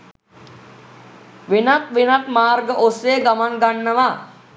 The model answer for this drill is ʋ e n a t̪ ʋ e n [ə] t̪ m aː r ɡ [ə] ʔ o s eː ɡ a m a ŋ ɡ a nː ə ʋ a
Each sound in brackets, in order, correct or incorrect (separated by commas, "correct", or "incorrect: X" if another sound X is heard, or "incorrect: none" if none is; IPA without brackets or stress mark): incorrect: a, correct